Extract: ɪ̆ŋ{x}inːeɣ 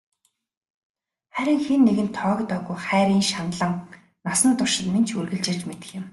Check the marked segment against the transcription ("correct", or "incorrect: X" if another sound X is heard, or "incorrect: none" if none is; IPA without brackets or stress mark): correct